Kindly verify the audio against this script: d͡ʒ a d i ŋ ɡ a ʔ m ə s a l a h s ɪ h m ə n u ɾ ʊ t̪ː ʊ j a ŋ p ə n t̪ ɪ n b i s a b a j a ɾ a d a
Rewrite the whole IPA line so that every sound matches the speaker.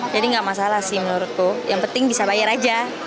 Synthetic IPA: d͡ʒ a d i ŋ ɡ a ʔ m a s a l a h s ɪ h m ə n u ɾ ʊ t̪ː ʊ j a ŋ p ə n t̪ ɪ ŋ b i s a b a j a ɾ a d͡ʒ a